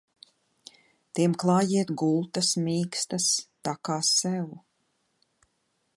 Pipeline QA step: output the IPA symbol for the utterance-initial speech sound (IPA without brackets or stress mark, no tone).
t̪